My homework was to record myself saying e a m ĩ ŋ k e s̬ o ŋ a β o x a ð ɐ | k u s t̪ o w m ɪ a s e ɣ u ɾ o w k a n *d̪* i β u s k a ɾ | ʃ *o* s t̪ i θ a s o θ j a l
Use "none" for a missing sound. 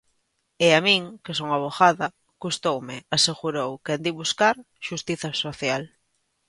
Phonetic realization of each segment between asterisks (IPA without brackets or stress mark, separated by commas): d̪, u